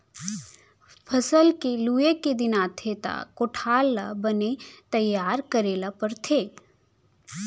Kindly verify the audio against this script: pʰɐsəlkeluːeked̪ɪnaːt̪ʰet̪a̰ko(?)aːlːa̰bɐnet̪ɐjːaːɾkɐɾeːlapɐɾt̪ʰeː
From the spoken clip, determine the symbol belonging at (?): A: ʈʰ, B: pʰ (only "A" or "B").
A